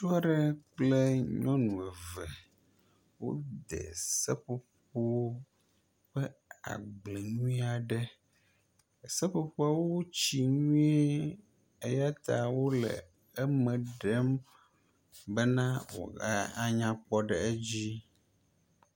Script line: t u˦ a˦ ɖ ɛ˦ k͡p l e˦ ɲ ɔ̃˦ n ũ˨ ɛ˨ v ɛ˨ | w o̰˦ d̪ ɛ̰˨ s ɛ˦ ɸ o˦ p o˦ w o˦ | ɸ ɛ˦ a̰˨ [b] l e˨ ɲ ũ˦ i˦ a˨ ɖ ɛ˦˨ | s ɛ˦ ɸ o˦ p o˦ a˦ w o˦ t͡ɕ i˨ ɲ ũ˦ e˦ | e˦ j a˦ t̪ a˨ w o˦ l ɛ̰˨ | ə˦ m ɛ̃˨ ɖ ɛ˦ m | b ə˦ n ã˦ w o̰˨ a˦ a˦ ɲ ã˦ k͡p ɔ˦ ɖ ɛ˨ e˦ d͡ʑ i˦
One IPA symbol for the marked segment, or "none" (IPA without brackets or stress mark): ɡ͡b